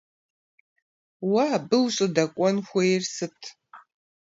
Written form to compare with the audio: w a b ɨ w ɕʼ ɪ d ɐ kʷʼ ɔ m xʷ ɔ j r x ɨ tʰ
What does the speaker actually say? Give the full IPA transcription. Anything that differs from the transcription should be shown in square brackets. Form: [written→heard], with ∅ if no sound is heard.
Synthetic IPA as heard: w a b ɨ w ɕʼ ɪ d ɐ kʷʼ ɔ [m→n] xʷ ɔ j r [x→s] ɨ tʰ